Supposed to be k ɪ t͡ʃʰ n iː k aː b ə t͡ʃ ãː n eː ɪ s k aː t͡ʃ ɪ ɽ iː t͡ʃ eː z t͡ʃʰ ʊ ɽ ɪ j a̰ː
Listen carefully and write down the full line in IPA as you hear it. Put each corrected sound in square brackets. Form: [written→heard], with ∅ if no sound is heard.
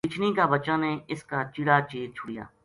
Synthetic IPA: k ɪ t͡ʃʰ n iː k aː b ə t͡ʃ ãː n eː ɪ s k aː t͡ʃ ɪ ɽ [iː→aː] t͡ʃ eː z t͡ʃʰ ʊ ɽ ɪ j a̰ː